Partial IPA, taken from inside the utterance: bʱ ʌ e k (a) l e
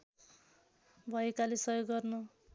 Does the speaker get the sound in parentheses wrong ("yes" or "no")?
no